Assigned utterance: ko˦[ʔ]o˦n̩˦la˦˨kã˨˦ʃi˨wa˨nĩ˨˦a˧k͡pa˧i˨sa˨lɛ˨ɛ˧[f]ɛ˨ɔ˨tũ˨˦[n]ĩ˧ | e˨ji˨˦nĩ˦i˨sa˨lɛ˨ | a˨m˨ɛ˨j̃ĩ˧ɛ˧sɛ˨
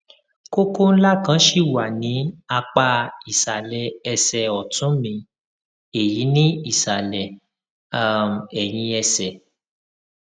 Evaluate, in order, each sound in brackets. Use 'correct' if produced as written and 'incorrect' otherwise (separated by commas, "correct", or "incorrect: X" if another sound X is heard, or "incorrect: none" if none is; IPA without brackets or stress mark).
incorrect: k, incorrect: s, incorrect: m